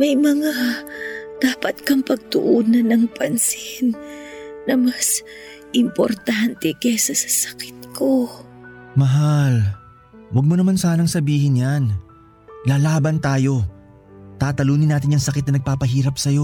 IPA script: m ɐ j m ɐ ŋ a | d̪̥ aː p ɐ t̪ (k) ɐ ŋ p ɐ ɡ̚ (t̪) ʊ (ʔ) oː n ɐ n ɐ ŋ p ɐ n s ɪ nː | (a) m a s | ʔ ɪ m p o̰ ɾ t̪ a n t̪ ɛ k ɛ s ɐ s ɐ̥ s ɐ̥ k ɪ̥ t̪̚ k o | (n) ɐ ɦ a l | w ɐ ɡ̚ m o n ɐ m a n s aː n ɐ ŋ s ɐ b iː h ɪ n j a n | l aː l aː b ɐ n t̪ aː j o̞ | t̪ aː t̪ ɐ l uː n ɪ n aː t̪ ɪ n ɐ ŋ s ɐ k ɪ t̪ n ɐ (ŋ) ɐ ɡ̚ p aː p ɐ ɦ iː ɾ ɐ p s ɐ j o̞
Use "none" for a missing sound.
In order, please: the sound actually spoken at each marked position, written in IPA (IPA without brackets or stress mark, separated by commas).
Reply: k, t̪, ʔ, ɐ, m, n